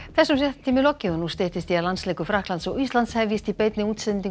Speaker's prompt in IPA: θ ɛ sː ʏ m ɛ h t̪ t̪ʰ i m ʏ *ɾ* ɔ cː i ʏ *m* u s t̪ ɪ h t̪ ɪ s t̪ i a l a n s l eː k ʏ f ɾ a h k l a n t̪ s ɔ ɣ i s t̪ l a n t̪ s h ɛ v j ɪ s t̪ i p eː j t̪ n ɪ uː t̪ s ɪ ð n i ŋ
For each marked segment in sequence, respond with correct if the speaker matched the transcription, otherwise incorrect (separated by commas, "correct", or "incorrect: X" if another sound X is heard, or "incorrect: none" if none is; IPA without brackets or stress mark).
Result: incorrect: l, incorrect: n